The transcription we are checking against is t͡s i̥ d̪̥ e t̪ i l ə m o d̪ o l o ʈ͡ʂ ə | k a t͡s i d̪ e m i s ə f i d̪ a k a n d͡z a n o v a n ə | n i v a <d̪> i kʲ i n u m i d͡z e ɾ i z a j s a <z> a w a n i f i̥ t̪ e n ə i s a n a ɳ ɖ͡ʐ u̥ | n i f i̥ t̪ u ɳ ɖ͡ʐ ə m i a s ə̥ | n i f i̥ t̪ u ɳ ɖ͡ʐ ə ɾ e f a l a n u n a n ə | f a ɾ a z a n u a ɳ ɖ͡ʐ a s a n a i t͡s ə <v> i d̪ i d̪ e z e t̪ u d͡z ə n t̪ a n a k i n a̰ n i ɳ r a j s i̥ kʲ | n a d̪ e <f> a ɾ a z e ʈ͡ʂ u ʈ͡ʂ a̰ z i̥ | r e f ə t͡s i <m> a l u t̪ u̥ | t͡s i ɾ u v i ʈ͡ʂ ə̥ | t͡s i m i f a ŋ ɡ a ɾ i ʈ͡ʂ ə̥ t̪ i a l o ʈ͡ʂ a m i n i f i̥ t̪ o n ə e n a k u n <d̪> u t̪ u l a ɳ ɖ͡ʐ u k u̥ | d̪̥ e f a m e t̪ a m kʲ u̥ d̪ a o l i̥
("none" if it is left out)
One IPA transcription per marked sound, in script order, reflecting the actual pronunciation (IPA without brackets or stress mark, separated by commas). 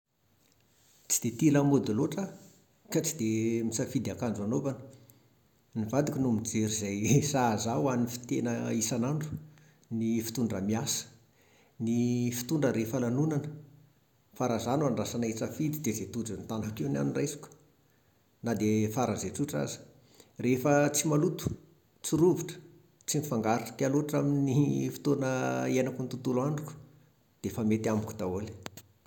d̪, z, f, f, m, t̪